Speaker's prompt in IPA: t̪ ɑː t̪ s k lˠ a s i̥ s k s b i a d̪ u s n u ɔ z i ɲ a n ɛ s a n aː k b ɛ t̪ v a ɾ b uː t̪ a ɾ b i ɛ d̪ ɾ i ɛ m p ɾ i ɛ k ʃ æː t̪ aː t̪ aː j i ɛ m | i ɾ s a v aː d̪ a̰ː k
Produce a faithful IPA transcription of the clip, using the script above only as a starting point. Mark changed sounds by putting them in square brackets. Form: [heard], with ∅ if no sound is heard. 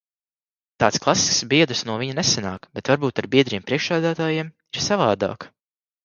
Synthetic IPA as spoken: t̪ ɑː t̪ s k lˠ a s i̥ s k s b i [ɛ] d̪ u s n u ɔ [v] i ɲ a n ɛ s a n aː k b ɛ t̪ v a ɾ b uː t̪ a ɾ b i ɛ d̪ ɾ i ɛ m p ɾ i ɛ k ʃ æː [d̪] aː t̪ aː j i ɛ m | i ɾ s a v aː d̪ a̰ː k